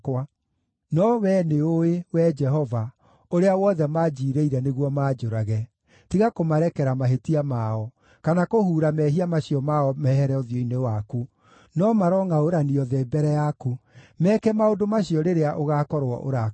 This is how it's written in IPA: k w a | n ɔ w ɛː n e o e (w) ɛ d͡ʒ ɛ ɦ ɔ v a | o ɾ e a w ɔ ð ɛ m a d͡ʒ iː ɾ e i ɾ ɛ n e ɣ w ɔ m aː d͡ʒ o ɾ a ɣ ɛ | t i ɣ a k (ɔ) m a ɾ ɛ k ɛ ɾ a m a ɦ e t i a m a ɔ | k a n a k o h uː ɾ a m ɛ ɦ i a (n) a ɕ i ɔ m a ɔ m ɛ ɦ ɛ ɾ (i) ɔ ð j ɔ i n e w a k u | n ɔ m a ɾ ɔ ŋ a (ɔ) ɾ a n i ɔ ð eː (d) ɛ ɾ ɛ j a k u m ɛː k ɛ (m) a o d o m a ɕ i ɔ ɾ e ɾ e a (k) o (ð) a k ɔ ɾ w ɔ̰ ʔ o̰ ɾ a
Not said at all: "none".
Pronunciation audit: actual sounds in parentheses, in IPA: w, o, m, ɛ, o, b, m, ʔ, ɣ

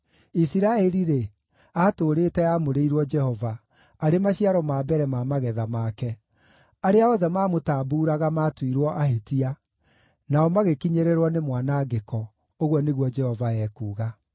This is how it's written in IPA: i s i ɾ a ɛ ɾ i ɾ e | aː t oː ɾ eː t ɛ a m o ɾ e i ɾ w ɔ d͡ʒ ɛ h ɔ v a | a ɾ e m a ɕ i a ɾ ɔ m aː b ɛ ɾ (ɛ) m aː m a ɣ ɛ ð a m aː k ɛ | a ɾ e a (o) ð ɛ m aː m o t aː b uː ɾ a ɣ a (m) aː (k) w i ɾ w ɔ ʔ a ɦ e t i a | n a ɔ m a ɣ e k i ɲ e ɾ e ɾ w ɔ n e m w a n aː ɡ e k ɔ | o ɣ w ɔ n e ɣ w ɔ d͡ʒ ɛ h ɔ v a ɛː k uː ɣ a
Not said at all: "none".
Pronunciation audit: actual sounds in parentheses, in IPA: ɛ, ɔ, m, t

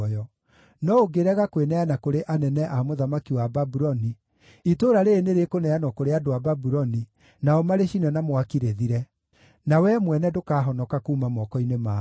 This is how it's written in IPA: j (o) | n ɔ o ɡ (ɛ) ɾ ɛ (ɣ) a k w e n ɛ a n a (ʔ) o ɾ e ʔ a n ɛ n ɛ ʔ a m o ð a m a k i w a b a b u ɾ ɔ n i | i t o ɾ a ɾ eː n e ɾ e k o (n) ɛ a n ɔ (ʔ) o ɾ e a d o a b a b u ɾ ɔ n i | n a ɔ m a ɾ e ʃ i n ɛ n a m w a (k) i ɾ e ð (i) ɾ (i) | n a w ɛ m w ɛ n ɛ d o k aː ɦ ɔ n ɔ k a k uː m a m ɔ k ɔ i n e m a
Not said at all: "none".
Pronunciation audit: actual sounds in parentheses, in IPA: ɔ, e, ɣ, k, n, k, k, i, ɛ

